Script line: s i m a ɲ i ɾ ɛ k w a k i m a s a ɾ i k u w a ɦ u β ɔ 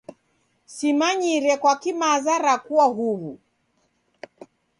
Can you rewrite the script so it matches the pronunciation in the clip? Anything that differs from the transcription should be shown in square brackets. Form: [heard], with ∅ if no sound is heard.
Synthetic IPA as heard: s i m a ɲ i ɾ ɛ k w a k i m a [z] a ɾ [a] k u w a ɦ u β [u]